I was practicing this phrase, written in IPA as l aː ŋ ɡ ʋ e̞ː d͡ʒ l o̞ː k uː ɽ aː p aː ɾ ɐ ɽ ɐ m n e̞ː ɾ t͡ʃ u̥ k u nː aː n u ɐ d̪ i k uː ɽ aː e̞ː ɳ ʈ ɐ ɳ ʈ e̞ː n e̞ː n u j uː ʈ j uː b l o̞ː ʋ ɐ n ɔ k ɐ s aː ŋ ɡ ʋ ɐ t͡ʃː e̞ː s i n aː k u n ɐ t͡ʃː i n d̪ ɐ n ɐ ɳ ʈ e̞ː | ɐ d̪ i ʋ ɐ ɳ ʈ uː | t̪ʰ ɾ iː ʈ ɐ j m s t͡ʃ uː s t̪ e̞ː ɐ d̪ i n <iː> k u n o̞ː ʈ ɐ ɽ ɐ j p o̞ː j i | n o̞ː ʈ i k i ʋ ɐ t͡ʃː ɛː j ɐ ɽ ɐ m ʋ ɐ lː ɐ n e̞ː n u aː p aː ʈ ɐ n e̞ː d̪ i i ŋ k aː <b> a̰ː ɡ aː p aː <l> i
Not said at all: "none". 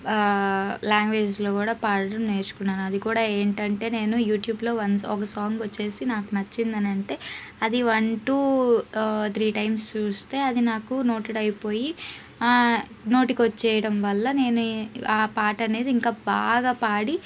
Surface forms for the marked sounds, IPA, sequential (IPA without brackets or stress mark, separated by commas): aː, b, ɽ